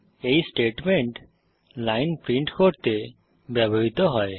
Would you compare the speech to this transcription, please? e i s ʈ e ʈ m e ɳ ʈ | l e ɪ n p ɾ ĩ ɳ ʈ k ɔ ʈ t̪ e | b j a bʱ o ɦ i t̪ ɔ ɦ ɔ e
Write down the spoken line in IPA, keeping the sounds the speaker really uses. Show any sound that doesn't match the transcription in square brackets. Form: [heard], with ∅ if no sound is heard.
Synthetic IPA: e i s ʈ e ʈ m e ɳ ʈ | l [a] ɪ n p ɾ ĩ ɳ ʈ k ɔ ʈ t̪ e | b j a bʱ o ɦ i t̪ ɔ ɦ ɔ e